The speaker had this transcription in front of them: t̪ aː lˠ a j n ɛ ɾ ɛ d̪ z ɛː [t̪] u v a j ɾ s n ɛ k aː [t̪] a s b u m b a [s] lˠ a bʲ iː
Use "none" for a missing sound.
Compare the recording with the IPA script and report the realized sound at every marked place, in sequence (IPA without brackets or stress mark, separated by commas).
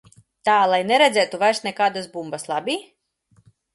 t̪, d̪, s